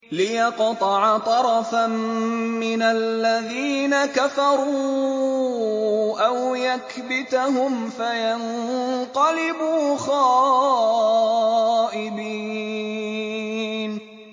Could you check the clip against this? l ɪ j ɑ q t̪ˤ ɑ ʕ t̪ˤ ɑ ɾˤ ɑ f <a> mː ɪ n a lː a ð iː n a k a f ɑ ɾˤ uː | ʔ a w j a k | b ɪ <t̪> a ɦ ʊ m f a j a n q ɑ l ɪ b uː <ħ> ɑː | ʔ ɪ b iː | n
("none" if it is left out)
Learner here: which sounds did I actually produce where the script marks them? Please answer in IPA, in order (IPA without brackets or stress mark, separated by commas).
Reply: a, t̪, x